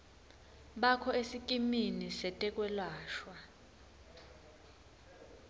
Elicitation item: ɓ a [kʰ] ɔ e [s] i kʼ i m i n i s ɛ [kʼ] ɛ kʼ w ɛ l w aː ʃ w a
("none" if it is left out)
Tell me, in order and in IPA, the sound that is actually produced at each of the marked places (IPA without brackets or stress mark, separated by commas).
kʰ, s, tʼ